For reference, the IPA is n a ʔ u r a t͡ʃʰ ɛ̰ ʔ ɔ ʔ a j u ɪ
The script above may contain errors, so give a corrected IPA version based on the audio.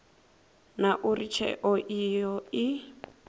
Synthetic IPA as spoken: n a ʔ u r i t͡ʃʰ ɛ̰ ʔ ɔ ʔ i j ɔ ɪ